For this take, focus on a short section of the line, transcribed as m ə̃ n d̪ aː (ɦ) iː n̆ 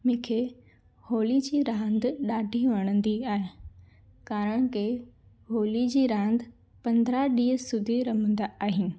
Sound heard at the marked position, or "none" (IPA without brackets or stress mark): ɦ